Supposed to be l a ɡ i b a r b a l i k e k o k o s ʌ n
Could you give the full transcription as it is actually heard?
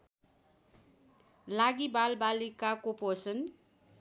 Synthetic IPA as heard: l a ɡ i b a l b a l i k a k o p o s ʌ n